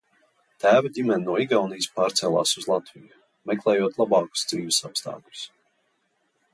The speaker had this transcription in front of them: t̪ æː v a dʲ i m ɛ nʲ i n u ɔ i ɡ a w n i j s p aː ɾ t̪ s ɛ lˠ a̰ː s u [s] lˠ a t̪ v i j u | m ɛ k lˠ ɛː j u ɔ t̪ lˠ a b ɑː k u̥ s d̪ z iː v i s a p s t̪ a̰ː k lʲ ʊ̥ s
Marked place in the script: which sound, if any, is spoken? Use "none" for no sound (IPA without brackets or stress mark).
z